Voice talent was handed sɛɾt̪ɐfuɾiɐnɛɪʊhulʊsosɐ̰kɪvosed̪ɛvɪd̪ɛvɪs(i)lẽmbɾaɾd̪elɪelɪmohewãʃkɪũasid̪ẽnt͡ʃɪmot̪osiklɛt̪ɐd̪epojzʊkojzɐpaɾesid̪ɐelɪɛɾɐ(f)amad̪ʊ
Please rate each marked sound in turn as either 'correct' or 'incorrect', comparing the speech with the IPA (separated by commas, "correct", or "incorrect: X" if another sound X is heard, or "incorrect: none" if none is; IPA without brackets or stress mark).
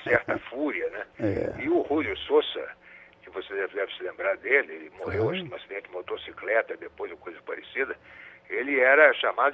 incorrect: ɪ, incorrect: ʃ